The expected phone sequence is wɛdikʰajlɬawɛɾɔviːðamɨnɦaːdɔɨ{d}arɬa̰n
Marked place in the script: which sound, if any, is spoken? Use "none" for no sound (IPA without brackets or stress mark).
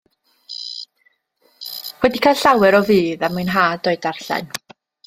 d